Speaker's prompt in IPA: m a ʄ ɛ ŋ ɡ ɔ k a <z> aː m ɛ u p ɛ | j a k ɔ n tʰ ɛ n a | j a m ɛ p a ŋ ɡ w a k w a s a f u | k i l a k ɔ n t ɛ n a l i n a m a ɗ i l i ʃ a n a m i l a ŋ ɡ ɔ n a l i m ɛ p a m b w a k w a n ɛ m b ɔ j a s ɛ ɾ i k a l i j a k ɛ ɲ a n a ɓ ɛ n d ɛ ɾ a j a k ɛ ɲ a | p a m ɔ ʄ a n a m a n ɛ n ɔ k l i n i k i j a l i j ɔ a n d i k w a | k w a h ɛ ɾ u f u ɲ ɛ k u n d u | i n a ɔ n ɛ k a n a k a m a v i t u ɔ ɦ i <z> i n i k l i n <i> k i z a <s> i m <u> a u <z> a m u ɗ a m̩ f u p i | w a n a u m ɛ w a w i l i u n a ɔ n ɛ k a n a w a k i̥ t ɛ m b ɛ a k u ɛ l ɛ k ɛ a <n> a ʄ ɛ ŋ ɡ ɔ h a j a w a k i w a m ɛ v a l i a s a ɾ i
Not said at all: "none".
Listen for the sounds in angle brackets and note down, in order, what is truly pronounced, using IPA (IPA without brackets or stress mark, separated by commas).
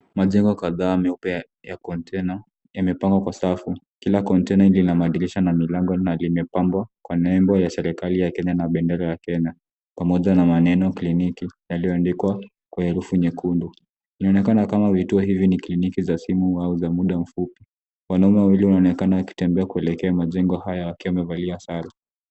ð, v, i, s, u, z, m